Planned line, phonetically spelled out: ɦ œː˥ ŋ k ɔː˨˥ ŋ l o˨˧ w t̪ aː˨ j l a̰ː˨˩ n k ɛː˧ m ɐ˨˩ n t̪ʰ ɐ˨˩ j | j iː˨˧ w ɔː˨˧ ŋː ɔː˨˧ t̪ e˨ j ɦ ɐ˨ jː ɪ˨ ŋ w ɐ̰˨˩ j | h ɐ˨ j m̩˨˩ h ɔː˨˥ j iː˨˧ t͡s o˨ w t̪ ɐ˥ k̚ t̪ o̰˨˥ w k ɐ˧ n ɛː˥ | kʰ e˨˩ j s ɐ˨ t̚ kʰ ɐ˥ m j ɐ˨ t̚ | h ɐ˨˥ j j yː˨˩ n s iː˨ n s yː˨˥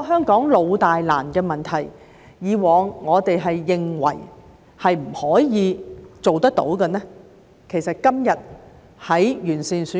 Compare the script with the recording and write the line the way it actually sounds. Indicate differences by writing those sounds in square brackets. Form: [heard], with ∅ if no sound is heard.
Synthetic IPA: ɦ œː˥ ŋ k ɔː˨˥ ŋ l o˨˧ w t̪ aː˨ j l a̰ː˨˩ n k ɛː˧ m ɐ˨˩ n t̪ʰ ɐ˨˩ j | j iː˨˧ w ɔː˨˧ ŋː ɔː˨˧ t̪ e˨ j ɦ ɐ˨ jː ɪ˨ ŋ w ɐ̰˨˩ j | h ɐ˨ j m̩˨˩ h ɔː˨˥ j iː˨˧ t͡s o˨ w t̪ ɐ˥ k̚ t̪ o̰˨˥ w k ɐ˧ n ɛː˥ | kʰ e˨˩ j s ɐ˨ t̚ [k] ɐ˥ m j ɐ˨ t̚ | h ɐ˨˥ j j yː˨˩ n s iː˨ n s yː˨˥